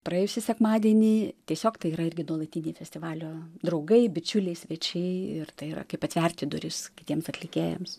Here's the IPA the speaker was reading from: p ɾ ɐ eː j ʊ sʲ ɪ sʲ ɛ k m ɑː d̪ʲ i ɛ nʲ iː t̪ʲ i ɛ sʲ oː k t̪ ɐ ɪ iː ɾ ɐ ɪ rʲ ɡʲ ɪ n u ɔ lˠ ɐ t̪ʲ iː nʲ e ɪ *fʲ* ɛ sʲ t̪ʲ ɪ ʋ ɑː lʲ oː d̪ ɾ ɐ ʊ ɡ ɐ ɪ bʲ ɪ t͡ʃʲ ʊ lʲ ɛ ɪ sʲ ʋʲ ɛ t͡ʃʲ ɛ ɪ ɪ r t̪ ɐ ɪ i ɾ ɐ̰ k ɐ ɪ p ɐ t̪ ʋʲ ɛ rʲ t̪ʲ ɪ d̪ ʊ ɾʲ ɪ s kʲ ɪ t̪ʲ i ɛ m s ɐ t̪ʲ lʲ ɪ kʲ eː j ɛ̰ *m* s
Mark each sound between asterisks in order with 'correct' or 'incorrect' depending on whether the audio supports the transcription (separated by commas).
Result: correct, correct